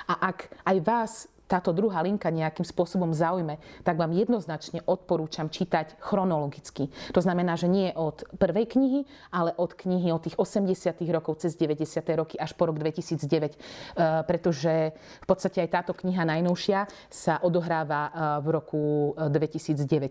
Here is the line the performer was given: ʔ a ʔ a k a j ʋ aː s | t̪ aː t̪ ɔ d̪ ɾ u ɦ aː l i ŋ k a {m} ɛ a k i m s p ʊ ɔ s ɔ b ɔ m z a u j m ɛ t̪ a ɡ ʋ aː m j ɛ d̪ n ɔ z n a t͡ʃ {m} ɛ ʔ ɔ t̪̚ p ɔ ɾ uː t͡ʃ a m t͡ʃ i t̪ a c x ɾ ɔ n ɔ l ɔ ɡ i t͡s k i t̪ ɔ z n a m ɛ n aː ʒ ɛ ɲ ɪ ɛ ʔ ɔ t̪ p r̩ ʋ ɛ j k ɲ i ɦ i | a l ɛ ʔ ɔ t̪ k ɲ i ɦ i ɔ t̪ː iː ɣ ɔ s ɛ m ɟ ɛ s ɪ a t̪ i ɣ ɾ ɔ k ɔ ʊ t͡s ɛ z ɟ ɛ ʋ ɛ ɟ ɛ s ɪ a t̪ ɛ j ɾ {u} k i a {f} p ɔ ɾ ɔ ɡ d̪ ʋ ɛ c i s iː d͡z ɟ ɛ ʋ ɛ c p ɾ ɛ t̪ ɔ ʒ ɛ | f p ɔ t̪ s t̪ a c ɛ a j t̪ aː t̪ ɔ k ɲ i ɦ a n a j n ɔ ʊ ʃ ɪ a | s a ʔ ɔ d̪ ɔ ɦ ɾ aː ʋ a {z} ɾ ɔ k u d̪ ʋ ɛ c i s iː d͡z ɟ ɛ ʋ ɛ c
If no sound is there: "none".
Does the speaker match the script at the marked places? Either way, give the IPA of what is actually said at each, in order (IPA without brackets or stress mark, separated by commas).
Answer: ɲ, ɲ, ɔ, ʃ, v